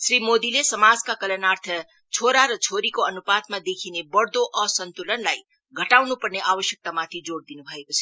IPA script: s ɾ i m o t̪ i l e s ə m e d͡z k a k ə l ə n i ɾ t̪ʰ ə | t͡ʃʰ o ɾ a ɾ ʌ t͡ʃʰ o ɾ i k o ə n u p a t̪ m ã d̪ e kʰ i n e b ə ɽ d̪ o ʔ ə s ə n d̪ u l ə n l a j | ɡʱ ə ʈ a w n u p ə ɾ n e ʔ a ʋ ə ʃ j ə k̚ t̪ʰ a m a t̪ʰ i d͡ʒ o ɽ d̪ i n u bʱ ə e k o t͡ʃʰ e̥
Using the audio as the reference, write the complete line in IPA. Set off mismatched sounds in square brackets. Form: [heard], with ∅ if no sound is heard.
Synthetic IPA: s ɾ i m o [d̪] i l e s ə m [a] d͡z k a k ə l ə n [a] ɾ t̪ʰ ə | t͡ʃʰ o ɾ a ɾ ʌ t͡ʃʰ o ɾ i k o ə n u p a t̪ m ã d̪ e kʰ i n e b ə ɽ d̪ o ʔ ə s ə n [t̪] u l ə n l a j | ɡʱ ə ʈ a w n u p ə ɾ n e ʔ a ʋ ə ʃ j ə k̚ [t̪] a m a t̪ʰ i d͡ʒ o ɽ d̪ i n u bʱ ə e k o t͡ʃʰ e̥